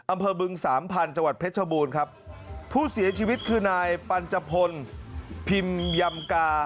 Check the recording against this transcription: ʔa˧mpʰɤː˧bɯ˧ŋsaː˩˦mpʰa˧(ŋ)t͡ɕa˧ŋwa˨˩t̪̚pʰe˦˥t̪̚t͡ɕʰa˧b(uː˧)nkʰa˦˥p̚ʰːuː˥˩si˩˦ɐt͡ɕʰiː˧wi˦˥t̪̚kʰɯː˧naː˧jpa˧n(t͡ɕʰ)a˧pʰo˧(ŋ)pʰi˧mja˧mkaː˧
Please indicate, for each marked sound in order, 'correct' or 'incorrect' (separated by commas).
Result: incorrect, correct, incorrect, incorrect